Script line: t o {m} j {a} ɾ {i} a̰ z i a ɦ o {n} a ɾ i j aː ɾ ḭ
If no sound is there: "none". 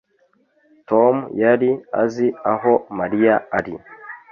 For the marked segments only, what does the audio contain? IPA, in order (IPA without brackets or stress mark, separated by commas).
m, a, i, m